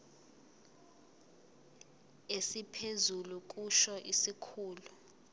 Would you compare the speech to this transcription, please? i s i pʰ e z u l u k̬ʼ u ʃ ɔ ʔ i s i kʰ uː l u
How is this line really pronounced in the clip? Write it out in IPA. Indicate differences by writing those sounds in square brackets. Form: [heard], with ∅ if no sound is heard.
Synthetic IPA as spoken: [e] s i pʰ e z u l u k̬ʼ u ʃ ɔ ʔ i s i kʰ uː l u